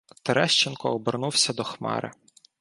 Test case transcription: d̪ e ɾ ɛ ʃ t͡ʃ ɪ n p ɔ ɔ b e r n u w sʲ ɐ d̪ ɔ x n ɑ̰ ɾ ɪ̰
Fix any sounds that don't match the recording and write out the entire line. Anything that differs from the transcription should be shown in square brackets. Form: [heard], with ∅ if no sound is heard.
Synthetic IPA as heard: [t̪] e ɾ ɛ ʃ t͡ʃ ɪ n [k] ɔ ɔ b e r n u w sʲ ɐ d̪ ɔ x [m] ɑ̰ ɾ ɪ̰